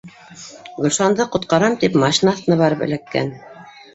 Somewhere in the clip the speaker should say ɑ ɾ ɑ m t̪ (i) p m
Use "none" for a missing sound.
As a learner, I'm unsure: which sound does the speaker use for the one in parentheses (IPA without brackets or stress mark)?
i